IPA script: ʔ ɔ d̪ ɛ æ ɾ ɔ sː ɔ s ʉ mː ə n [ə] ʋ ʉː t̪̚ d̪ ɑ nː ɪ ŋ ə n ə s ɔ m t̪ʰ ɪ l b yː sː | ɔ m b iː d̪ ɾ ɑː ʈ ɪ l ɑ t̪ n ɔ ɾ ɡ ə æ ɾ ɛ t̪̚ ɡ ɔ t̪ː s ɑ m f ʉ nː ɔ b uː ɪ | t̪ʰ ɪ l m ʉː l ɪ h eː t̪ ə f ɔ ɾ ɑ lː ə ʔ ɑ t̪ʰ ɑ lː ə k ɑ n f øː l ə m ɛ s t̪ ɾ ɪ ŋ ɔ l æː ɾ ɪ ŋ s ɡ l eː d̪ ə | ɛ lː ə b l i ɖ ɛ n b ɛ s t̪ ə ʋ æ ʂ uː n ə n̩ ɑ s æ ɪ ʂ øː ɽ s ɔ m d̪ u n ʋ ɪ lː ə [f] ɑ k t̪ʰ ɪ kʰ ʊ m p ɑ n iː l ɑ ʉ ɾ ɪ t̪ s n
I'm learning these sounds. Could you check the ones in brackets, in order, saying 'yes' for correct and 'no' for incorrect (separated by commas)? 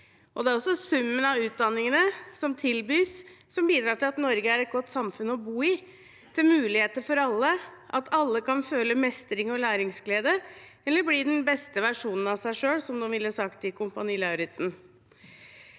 no, no